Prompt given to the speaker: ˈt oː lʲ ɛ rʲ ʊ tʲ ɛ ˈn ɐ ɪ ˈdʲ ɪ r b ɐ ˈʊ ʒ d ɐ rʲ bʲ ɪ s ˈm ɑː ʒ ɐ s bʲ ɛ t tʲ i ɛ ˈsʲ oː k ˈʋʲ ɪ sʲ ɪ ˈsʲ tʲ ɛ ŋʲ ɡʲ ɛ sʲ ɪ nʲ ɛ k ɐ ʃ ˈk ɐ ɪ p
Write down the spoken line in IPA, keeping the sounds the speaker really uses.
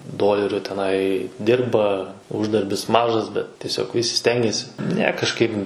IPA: ˈd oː lʲ ɛ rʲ ʊ tʲ ɛ ˈn ɐ ɪ ˈdʲ ɪ r b ɐ ˈʊ ʒ d ɐ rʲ bʲ ɪ s ˈm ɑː ʒ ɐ s bʲ ɛ t tʲ i ɛ ˈsʲ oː k ˈʋʲ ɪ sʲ ɪ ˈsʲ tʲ ɛ ŋʲ ɡʲ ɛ sʲ ɪ nʲ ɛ k ɐ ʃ ˈk ɐ ɪ p

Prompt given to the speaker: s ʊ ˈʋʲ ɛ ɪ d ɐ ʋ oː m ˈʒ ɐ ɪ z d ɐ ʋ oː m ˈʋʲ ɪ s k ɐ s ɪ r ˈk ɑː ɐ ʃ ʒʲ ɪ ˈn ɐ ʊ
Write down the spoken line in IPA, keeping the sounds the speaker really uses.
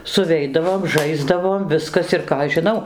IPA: s ʊ ˈʋʲ ɛ ɪ d ɐ ʋ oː m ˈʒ ɐ ɪ z d ɐ ʋ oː m ˈʋʲ ɪ s k ɐ s ɪ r ˈk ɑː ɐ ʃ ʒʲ ɪ ˈn ɐ ʊ

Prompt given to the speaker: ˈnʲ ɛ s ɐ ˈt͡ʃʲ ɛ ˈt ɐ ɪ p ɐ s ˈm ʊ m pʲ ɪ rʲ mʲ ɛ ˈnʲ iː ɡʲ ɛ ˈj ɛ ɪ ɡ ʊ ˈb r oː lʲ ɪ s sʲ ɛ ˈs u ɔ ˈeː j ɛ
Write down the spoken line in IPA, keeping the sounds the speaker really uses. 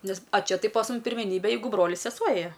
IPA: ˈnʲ ɛ s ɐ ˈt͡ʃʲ ɛ ˈt ɐ ɪ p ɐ s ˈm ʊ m pʲ ɪ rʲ mʲ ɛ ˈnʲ iː bʲ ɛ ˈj ɛ ɪ ɡ ʊ ˈb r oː lʲ ɪ s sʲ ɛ ˈs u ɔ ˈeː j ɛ

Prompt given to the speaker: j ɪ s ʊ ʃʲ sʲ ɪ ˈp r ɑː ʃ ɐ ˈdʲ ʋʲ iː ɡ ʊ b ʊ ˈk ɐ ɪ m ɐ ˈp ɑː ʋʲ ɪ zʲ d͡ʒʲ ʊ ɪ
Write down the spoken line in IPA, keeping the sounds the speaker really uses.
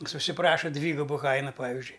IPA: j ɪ s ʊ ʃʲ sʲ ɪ ˈp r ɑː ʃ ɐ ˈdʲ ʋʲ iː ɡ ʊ b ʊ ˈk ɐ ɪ n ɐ ˈp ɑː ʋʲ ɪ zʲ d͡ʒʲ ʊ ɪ

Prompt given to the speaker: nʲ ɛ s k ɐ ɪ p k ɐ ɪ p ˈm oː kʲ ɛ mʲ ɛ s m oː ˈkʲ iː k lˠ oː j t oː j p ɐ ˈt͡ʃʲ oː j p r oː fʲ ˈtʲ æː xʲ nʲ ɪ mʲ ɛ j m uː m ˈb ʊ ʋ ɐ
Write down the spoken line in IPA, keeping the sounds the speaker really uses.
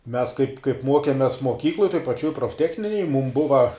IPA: mʲ ɛ s k ɐ ɪ p k ɐ ɪ p ˈm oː kʲ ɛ mʲ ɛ s m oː ˈkʲ iː k lˠ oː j t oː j p ɐ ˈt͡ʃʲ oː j p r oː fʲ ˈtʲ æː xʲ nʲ ɪ nʲ ɛ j m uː m ˈb ʊ ʋ ɐ

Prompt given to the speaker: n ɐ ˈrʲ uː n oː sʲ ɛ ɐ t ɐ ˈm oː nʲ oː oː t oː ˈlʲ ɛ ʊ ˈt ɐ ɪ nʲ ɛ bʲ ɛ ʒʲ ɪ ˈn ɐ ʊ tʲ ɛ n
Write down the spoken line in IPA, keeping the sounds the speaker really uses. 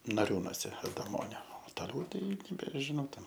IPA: n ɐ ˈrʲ uː n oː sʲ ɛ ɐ d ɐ ˈm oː nʲ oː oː t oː ˈlʲ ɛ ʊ ˈt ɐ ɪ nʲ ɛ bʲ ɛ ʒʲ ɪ ˈn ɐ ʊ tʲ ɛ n

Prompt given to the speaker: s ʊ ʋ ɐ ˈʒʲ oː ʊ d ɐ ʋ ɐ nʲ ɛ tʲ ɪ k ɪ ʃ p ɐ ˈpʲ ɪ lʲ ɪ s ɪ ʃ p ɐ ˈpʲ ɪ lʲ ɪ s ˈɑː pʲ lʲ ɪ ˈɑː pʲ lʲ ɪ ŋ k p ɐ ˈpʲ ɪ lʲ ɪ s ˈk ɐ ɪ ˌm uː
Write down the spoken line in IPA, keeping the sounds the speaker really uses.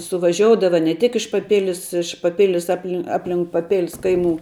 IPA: s ʊ ʋ ɐ ˈʒʲ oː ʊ d ɐ ʋ ɐ nʲ ɛ tʲ ɪ k ɪ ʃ p ɐ ˈpʲ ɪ lʲ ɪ s ɪ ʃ p ɐ ˈpʲ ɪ lʲ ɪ s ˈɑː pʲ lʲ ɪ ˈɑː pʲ lʲ ɪ ŋ k p ɐ ˈpʲ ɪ lʲ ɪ s ˈk ɐ ɪ ˌm uː

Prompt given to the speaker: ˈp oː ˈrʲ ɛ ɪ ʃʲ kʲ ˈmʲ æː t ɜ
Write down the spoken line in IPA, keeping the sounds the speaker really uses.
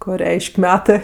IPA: ˈk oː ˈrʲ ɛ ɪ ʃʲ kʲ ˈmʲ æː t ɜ

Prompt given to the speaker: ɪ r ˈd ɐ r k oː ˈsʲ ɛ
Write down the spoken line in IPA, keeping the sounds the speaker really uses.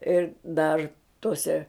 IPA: ɪ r ˈd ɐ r t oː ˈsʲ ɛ

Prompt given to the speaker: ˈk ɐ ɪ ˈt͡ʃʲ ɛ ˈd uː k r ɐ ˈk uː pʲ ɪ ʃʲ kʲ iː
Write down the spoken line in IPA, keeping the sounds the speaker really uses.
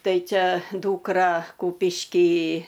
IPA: ˈt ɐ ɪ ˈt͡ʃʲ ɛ ˈd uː k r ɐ ˈk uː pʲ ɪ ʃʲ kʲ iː

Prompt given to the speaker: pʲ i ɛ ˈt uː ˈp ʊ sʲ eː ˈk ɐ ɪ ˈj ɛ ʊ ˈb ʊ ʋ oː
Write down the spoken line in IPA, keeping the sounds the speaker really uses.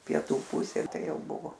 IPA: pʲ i ɛ ˈt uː ˈp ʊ sʲ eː ˈt ɐ ɪ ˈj ɛ ʊ ˈb ʊ ʋ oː

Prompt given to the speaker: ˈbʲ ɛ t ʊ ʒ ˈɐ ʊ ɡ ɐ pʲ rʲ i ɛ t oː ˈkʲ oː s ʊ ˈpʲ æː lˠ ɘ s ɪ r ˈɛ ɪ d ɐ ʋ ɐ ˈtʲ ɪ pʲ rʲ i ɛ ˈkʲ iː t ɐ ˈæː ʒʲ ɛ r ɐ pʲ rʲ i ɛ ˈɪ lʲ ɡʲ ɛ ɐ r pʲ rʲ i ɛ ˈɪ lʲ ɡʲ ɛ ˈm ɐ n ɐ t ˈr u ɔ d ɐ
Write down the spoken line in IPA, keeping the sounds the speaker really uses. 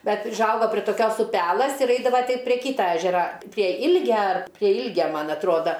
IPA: ˈbʲ ɛ t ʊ ʒ ˈɐ ʊ ɡ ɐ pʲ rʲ i ɛ t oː ˈkʲ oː s ʊ ˈpʲ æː lˠ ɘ s ɪ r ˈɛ ɪ d ɐ ʋ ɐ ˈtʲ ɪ pʲ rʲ i ɛ ˈkʲ iː t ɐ ˈæː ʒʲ ɛ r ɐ pʲ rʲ i ɛ ˈɪ lʲ ɡʲ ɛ ɐ r pʲ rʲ i ɛ ˈɪ lʲ ɡʲ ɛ ˈm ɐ n ɐ t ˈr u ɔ d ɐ

